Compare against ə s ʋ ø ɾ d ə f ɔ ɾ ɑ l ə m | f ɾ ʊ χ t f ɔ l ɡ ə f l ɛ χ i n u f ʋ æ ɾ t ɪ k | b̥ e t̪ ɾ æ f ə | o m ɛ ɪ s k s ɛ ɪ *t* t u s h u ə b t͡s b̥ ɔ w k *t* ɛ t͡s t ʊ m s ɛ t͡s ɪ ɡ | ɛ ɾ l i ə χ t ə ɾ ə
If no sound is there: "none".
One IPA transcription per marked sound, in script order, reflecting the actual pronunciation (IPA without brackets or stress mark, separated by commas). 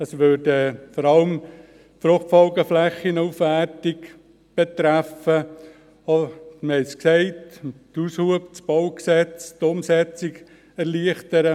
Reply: t, s